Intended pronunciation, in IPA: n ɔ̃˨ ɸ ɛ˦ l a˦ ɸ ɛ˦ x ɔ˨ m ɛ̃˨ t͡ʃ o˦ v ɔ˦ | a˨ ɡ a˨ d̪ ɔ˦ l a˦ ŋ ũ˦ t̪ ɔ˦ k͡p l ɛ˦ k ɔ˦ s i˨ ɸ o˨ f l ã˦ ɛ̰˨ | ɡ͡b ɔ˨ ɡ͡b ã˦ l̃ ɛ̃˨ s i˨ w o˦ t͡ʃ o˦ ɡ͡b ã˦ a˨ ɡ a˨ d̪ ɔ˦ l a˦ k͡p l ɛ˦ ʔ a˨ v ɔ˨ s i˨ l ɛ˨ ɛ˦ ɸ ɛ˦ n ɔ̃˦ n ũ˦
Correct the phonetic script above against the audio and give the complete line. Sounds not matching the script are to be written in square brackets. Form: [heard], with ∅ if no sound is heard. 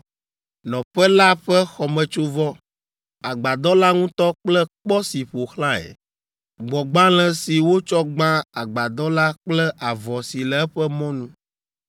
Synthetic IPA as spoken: n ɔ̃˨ ɸ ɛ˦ l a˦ ɸ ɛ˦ x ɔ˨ m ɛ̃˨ t͡ʃ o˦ v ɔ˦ | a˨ [ɡ͡b] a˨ d̪ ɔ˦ l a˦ ŋ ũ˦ t̪ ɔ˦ k͡p l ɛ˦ [k͡p] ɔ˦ s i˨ ɸ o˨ [x] l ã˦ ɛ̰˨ | ɡ͡b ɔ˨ ɡ͡b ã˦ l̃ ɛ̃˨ s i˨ w o˦ t͡ʃ [ɔ˦] ɡ͡b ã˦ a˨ [ɡ͡b] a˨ d̪ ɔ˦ l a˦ k͡p l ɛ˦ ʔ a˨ v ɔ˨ s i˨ l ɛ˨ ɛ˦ ɸ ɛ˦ [m] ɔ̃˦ n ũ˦